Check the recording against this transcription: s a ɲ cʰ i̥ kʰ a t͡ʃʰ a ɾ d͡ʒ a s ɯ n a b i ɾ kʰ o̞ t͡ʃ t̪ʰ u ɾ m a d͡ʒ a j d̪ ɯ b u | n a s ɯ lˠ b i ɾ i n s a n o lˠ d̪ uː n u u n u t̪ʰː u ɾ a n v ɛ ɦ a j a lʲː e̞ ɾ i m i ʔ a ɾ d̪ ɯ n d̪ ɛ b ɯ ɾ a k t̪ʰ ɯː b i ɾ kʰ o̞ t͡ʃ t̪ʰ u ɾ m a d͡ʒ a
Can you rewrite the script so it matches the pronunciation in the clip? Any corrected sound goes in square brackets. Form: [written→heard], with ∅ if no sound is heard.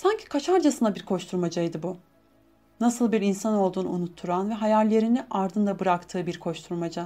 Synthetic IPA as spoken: s a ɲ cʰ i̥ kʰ a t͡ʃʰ a ɾ d͡ʒ a s ɯ n a b i ɾ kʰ o̞ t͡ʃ t̪ʰ u ɾ m a d͡ʒ a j d̪ ɯ b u | n a s ɯ lˠ b i ɾ i n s a n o lˠ d̪ uː n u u n u t̪ʰː u ɾ a n v ɛ ɦ a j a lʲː e̞ ɾ i [m→n] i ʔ a ɾ d̪ ɯ n d̪ [ɛ→a] b ɯ ɾ a k t̪ʰ ɯː b i ɾ kʰ o̞ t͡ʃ t̪ʰ u ɾ m a d͡ʒ a